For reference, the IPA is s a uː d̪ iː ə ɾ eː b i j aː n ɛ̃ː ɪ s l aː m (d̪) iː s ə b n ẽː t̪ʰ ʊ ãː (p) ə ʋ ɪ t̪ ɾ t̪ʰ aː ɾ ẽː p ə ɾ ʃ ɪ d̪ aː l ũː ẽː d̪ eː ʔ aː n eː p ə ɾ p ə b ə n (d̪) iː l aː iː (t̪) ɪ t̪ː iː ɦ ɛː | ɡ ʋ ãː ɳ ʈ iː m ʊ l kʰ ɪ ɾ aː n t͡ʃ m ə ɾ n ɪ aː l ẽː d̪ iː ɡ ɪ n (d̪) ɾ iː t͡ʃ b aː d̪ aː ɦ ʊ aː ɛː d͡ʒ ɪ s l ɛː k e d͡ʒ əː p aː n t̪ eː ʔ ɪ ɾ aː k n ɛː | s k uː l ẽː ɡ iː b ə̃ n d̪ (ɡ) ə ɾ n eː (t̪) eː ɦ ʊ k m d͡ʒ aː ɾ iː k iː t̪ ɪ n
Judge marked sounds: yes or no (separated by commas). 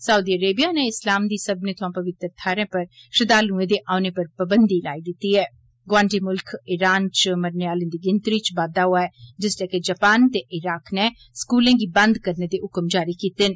yes, yes, yes, no, no, no, no